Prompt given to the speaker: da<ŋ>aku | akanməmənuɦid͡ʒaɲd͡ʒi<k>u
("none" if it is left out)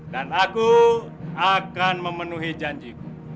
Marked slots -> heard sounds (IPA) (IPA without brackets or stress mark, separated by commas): n, k